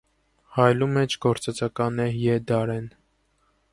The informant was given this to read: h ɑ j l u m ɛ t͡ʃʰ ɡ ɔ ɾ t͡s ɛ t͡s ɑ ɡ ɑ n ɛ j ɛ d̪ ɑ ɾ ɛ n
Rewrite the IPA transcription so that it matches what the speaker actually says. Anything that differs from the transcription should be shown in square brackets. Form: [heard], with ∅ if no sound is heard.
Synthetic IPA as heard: h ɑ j l u m ɛ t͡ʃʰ ɡ ɔ ɾ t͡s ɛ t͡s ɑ [k] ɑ n ɛ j ɛ d̪ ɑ ɾ ɛ n